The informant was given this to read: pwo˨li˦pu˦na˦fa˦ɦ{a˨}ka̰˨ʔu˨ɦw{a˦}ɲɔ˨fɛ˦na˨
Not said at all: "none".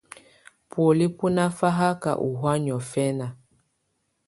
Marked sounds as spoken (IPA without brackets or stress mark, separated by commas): a˦, a˦